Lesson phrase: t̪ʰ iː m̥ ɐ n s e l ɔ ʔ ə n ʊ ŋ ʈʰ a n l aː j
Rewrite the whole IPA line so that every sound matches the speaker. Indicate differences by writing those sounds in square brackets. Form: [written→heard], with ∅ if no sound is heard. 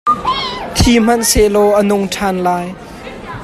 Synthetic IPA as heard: t̪ʰ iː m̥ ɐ n s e l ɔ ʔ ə n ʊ ŋ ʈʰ a n l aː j